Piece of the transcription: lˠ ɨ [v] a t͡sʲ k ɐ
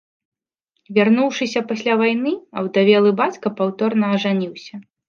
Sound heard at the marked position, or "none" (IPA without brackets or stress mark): b